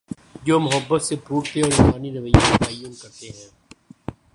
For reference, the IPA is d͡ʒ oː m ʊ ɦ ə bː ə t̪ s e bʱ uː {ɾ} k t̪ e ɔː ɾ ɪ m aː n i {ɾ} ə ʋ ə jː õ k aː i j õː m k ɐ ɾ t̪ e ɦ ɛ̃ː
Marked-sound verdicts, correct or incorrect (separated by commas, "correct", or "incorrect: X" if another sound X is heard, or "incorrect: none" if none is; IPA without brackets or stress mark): incorrect: none, correct